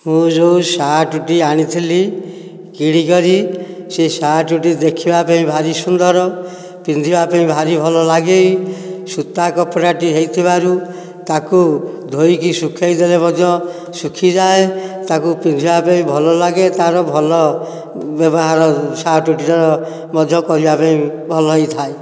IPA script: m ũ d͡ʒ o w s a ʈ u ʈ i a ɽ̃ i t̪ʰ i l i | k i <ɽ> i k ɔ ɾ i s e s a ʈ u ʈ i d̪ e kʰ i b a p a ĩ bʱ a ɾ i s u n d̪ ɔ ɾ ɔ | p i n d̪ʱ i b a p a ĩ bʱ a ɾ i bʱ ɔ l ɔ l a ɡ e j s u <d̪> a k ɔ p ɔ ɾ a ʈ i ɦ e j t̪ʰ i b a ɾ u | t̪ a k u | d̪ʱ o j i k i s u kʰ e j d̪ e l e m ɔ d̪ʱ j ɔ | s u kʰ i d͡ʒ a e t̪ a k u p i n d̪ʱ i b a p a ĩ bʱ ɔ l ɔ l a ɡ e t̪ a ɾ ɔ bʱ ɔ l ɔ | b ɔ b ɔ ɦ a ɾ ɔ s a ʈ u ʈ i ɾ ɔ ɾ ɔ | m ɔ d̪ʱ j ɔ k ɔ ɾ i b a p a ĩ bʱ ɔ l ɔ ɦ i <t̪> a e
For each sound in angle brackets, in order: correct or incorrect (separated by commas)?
correct, incorrect, incorrect